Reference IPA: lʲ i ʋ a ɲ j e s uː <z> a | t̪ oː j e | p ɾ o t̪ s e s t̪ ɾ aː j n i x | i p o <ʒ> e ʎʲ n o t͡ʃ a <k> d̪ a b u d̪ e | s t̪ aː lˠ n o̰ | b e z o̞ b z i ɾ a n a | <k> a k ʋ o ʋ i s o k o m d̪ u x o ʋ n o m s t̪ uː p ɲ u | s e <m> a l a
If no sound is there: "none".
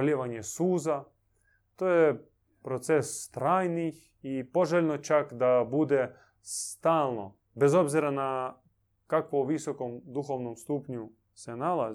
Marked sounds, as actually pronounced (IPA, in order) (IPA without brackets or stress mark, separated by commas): z, ʒ, k, k, n